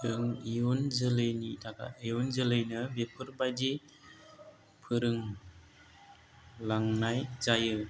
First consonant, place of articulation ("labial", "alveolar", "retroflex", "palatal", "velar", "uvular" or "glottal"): velar